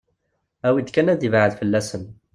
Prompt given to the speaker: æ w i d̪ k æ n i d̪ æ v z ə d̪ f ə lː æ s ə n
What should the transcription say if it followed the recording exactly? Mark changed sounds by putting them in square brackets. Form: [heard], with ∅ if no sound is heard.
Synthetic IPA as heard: æ w i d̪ k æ n [æ] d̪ [i] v [ʕ] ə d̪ f ə lː æ s ə n